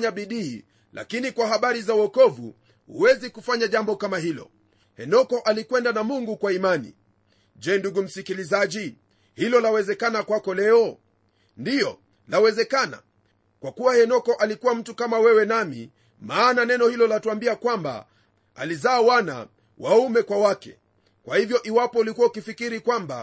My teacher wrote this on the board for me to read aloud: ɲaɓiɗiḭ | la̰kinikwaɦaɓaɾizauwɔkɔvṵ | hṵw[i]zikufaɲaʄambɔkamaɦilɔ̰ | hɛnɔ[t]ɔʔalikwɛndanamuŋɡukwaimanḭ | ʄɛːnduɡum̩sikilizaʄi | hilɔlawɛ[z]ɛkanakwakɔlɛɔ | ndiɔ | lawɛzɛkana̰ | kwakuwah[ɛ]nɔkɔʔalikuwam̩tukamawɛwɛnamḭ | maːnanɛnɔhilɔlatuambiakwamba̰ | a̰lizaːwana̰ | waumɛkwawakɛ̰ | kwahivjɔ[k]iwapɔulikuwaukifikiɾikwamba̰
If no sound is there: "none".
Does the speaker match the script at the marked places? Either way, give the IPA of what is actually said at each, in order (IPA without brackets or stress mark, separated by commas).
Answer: ɛ, k, z, ɛ, ʔ